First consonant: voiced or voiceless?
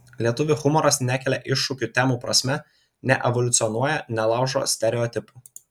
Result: voiced